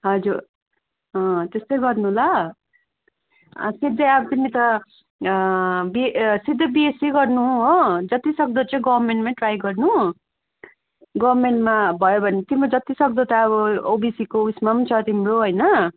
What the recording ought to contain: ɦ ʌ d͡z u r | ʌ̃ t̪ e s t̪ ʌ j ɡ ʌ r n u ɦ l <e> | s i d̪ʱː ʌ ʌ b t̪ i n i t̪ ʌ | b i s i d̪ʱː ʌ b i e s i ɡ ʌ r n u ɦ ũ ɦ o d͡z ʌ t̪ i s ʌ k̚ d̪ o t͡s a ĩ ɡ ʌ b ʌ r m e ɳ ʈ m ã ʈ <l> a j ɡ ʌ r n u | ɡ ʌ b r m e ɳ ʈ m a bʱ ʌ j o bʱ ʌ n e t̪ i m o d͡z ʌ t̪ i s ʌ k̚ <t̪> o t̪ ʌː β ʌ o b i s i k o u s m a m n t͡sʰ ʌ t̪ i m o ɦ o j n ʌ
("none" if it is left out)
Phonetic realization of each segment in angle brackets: a, r, d̪

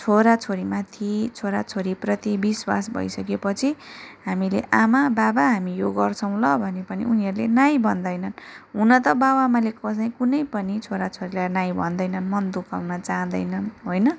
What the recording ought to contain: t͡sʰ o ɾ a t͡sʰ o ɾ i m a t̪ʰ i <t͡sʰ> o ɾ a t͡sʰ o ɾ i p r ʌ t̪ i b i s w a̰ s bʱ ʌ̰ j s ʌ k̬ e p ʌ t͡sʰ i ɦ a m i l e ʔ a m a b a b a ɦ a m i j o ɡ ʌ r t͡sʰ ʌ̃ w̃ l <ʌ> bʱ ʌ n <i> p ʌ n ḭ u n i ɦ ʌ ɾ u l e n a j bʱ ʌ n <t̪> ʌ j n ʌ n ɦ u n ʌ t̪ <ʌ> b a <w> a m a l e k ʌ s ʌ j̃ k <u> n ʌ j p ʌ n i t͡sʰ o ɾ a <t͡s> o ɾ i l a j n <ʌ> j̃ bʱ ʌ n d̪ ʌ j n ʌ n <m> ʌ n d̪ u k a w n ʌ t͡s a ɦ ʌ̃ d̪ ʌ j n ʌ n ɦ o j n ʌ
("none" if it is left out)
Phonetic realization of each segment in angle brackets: t͡sʰ, ʌ, e, d̪, ʌ, w, u, t͡sʰ, a, m

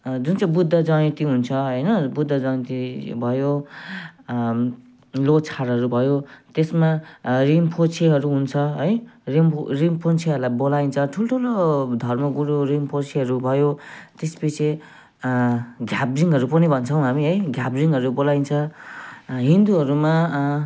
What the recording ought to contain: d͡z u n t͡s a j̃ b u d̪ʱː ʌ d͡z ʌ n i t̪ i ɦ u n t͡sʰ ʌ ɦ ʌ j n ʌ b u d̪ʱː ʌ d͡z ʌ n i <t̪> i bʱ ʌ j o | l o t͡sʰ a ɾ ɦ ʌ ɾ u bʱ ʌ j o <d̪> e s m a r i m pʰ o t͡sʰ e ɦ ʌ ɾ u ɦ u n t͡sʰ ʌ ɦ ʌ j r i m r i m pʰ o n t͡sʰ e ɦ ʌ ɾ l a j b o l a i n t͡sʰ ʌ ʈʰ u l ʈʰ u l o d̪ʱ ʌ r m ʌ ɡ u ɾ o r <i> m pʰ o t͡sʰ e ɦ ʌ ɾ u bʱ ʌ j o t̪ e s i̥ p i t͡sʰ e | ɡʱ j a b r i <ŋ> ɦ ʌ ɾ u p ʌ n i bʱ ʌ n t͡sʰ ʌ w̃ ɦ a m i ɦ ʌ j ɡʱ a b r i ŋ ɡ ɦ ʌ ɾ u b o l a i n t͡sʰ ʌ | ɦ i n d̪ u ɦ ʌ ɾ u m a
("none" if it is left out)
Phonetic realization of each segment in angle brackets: t̪, t̪, i, ŋ

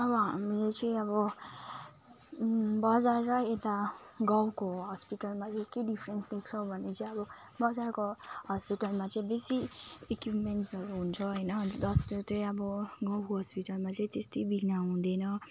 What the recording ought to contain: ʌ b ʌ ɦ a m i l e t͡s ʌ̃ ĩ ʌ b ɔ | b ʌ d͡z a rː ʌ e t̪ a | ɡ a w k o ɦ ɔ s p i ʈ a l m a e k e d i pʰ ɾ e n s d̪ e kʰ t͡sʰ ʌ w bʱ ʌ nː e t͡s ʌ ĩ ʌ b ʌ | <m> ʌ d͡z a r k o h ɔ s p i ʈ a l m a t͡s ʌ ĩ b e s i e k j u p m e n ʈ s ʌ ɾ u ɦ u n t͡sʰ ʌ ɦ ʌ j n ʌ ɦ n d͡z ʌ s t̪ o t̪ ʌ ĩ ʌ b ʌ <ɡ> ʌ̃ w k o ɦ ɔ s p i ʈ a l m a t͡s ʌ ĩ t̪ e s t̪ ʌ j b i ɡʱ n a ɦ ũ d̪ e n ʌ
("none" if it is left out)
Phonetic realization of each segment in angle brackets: b, ɡ

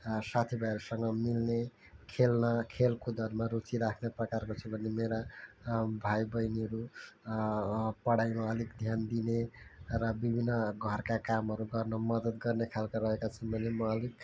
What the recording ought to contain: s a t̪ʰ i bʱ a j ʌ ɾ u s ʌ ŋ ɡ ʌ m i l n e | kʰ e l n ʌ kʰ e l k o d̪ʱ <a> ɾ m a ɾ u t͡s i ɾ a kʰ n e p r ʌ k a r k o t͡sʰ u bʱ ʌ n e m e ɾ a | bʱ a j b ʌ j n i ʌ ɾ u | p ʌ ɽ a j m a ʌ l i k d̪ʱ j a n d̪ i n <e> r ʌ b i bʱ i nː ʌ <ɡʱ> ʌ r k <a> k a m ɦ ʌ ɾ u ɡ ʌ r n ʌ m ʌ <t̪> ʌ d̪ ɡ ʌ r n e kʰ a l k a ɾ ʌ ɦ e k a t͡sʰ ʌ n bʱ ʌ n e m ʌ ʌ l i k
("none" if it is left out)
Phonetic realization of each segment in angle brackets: ʌ, e, ɡʱ, a, d̪

